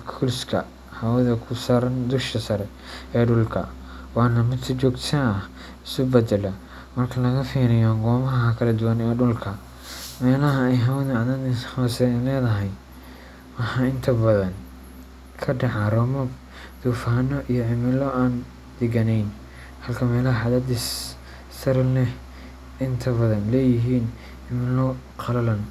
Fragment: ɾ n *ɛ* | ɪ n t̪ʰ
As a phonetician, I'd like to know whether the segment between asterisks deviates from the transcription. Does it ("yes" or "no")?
no